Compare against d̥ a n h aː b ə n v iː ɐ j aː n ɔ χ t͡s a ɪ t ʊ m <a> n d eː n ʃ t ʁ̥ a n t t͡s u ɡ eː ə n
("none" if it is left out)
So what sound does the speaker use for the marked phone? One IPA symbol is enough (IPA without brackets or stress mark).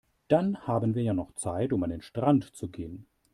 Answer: a